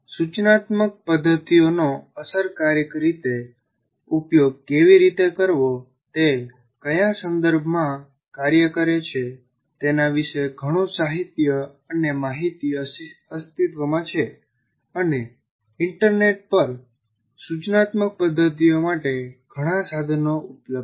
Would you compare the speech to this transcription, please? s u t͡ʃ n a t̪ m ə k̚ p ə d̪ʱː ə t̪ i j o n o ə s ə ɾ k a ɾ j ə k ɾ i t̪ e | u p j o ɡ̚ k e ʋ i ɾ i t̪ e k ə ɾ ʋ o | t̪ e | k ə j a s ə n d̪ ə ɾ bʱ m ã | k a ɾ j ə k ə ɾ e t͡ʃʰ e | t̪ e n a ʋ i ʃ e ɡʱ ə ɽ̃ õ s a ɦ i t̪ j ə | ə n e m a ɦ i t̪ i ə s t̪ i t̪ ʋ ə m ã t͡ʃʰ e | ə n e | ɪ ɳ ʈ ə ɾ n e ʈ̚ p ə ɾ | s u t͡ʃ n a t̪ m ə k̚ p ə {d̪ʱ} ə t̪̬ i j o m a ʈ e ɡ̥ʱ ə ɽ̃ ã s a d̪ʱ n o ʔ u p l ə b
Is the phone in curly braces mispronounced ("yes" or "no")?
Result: yes